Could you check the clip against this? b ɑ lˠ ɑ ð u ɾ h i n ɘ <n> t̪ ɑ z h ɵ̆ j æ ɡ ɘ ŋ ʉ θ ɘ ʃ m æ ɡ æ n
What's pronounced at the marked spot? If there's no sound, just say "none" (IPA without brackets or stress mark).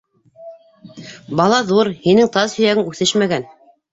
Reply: ŋ